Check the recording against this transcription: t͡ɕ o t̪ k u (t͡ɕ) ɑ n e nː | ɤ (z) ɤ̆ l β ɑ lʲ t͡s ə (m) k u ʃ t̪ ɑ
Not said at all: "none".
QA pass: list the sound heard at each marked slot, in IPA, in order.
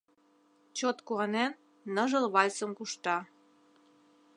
none, ʒ, m

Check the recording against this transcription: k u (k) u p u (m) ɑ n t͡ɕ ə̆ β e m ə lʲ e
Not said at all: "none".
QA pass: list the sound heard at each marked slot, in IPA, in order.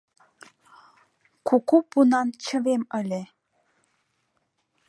k, n

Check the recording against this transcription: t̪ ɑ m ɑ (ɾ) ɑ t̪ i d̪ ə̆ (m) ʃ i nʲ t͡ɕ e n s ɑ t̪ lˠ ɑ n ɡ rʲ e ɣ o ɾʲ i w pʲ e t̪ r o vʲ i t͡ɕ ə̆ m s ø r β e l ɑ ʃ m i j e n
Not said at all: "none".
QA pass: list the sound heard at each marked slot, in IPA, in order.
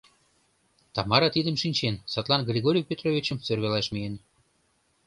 ɾ, m

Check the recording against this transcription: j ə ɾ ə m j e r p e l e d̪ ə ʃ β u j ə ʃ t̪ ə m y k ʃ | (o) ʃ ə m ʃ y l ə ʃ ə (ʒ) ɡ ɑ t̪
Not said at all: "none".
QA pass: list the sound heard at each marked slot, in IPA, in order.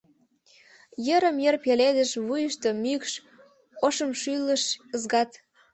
o, z

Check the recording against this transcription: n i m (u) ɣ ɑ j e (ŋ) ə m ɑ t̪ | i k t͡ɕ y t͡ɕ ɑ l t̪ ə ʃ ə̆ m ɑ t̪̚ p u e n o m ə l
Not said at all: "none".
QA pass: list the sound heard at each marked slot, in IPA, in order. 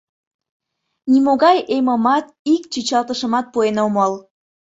o, m

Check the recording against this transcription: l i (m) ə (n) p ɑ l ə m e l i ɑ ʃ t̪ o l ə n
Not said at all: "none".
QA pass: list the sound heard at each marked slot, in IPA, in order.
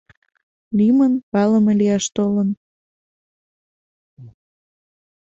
m, n

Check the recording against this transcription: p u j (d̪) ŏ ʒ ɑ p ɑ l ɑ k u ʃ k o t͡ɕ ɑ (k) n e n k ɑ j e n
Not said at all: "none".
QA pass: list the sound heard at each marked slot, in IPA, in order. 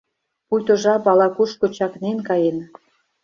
t̪, k

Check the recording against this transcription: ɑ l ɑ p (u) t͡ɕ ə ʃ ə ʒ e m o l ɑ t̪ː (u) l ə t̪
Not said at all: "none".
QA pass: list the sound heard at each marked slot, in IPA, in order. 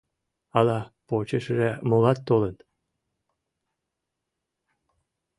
o, o

